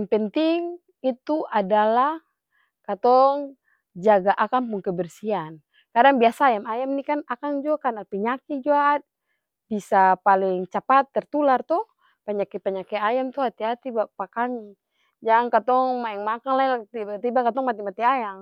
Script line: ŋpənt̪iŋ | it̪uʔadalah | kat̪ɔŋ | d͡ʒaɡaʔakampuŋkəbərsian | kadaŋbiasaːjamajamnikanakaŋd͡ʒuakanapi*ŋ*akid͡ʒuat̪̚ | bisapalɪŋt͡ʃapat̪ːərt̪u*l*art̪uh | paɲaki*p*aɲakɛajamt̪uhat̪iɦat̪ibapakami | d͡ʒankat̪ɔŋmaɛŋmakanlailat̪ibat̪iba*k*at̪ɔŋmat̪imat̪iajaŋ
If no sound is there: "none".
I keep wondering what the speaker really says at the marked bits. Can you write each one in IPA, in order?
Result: ɲ, l, p, k

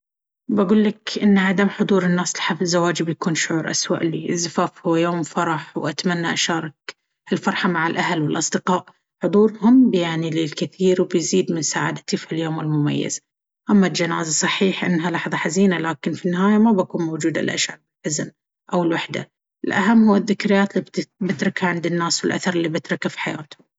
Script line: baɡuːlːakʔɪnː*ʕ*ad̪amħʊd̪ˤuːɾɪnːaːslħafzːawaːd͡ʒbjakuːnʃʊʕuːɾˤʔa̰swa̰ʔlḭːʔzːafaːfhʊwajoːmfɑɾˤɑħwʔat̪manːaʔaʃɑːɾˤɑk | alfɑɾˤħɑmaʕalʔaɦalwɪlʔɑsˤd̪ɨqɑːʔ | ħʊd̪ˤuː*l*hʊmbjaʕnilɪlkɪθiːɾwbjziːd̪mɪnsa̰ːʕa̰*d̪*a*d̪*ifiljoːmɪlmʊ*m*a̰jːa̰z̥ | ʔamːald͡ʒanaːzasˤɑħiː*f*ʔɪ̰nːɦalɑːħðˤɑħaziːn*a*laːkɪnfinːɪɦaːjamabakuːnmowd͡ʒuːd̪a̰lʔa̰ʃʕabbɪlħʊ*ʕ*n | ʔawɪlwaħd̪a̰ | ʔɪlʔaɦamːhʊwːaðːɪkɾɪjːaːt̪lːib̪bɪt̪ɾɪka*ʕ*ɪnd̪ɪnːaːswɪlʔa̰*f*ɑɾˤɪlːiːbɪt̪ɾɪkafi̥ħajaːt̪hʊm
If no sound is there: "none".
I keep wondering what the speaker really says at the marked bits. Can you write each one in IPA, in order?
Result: ʕ, ɾ, d̪, t̪, m, ħ, a, z, ʕ, θ

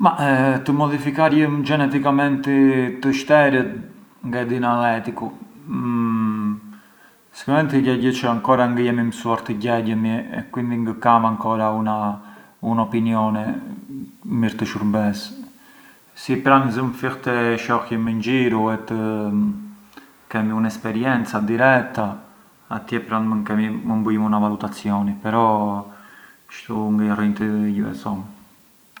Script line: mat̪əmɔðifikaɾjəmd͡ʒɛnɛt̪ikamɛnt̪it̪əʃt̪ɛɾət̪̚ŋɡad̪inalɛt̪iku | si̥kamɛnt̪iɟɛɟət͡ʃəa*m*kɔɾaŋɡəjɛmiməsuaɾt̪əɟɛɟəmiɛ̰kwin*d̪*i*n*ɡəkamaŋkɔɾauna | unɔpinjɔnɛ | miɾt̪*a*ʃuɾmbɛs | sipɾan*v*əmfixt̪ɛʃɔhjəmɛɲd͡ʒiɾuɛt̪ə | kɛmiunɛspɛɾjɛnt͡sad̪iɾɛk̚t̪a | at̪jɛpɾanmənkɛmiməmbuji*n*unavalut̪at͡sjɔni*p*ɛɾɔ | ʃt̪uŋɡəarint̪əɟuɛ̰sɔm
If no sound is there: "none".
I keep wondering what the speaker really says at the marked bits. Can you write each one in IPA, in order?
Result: ŋ, d̪, ŋ, ə, z, m, p

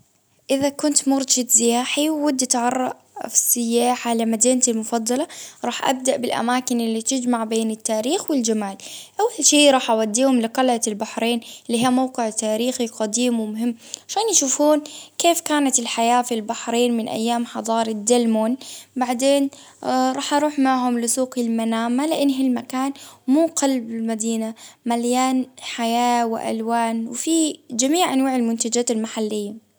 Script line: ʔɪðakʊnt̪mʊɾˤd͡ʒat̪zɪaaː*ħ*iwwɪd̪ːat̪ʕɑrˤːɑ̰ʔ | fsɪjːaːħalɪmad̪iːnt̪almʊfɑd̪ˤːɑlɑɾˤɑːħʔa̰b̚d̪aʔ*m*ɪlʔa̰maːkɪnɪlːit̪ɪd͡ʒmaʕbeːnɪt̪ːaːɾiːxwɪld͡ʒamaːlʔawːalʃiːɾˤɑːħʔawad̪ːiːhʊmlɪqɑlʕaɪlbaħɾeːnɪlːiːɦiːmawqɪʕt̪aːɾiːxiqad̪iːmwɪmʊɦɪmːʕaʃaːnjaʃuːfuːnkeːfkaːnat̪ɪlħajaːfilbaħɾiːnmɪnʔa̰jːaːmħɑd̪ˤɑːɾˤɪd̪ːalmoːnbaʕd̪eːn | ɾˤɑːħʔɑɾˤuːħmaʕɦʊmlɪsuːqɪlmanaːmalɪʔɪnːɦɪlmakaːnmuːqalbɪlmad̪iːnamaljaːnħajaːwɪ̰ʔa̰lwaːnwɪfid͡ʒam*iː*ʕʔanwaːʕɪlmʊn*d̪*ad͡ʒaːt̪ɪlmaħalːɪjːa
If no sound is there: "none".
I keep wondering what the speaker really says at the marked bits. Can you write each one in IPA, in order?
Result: ħ, b, iː, t̪

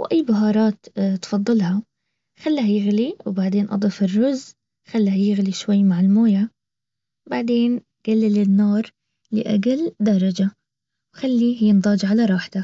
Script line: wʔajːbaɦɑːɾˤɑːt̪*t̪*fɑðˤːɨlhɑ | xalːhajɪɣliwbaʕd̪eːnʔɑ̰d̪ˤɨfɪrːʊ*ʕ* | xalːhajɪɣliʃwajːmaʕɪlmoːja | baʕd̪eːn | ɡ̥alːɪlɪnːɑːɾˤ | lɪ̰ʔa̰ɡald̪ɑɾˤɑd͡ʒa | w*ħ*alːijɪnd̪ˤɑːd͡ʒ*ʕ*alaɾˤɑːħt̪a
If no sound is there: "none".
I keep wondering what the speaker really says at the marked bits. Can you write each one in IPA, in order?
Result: t̪, z, x, ʕ

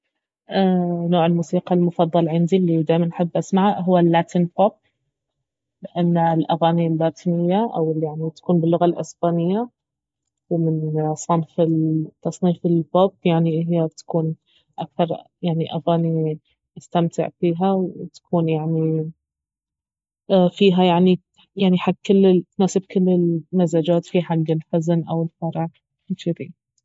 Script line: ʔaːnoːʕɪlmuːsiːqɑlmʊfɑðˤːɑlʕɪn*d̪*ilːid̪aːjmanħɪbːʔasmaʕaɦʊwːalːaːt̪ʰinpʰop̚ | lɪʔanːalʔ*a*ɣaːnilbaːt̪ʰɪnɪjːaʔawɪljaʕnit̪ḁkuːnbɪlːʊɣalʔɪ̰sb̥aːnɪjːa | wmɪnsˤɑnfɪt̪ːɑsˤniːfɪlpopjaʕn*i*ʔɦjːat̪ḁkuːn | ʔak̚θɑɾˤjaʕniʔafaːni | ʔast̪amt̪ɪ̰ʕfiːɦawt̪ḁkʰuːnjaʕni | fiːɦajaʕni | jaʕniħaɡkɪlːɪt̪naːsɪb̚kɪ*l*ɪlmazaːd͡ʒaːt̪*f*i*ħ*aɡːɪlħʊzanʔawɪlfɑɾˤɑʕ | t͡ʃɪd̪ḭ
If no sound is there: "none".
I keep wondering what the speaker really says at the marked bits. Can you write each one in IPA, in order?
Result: d̪, a, i, lː, f, ħ

